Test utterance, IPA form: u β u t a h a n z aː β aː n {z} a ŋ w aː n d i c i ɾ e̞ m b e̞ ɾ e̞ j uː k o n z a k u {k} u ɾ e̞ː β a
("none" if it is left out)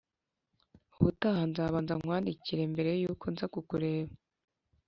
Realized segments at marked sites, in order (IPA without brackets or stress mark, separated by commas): z, k